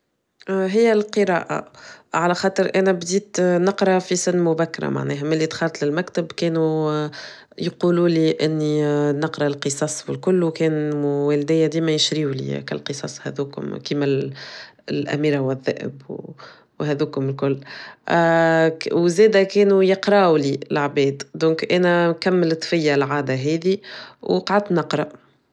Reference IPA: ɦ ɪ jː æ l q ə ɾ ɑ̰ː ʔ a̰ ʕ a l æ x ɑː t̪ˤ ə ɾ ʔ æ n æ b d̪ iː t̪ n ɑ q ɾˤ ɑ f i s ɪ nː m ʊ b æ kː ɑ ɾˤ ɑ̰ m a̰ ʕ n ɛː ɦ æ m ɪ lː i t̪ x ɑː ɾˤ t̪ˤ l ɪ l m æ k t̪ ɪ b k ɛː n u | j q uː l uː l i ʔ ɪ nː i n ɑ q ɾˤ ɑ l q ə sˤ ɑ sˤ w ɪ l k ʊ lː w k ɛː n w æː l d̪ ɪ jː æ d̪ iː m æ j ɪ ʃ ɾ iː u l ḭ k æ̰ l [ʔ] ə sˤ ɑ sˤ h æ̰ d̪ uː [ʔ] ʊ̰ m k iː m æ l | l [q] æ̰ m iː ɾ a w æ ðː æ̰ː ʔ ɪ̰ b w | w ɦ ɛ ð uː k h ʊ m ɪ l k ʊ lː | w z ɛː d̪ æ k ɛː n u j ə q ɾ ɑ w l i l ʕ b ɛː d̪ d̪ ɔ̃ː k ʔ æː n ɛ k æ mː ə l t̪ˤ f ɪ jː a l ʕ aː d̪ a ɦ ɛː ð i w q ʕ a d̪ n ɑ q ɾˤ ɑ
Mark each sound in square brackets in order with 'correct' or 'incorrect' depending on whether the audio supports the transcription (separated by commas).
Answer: incorrect, incorrect, incorrect